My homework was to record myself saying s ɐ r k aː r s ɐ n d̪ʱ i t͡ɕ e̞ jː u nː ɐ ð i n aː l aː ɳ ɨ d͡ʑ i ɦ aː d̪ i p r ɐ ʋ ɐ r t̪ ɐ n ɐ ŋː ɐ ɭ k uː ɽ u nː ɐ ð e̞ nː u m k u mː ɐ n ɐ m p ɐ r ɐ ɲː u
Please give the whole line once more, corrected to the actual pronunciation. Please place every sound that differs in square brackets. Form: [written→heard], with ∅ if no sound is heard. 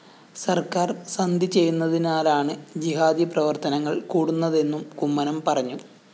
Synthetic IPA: s ɐ r k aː r s ɐ n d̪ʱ i t͡ɕ e̞ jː u nː ɐ ð i n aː l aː ɳ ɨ d͡ʑ i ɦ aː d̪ i p r ɐ ʋ ɐ r t̪ ɐ n ɐ ŋː ɐ ɭ k uː ɽ u nː ɐ ð e̞ nː u m k u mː ɐ n ɐ m p ɐ r ɐ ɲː u